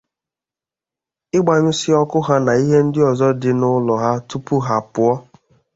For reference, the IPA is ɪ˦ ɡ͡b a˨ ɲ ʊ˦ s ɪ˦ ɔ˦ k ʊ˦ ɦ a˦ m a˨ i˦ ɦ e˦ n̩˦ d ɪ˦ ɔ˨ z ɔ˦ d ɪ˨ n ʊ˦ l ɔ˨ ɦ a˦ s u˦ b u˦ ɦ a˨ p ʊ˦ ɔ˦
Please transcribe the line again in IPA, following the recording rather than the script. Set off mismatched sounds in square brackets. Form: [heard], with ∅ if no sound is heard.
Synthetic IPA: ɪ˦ ɡ͡b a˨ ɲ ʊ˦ s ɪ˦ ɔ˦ k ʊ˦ ɦ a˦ [n] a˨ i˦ ɦ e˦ n̩˦ d ɪ˦ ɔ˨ z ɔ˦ d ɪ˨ n ʊ˦ l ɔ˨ ɦ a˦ [t] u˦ [p] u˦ ɦ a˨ p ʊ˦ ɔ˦